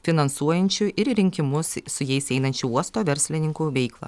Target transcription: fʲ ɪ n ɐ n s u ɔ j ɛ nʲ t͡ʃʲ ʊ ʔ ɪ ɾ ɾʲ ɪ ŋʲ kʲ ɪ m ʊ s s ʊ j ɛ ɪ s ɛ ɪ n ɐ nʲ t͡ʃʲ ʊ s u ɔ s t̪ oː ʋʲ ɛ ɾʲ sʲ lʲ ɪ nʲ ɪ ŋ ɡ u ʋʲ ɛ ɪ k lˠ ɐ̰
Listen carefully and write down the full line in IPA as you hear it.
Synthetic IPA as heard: fʲ ɪ n ɐ n s u ɔ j ɛ nʲ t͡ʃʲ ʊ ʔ ɪ ɾ ɾʲ ɪ ŋʲ kʲ ɪ m ʊ s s ʊ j ɛ ɪ s ɛ ɪ n ɐ nʲ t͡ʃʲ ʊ u ɔ s t̪ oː ʋʲ ɛ ɾʲ sʲ lʲ ɪ nʲ ɪ ŋ k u ʋʲ ɛ ɪ k lˠ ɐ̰